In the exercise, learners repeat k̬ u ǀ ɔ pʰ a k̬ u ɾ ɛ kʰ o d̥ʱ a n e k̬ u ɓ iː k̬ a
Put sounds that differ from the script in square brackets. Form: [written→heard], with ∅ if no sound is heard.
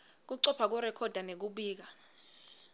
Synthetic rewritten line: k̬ u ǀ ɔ pʰ a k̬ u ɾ ɛ kʰ [o→ɔ] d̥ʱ a n e k̬ u ɓ iː k̬ a